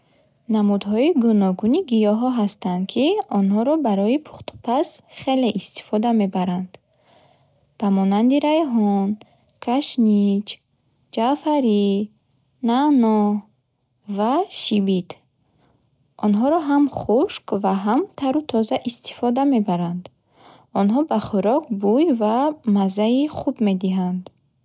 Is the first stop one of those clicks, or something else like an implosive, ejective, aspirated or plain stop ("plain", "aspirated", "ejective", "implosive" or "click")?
plain